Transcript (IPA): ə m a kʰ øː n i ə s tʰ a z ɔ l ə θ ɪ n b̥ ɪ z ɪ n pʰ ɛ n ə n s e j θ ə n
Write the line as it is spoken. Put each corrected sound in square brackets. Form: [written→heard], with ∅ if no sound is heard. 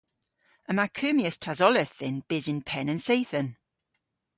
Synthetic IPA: ə m a kʰ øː [n→m] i ə s tʰ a z ɔ l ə θ ɪ n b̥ ɪ z ɪ n pʰ ɛ n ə n s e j θ ə n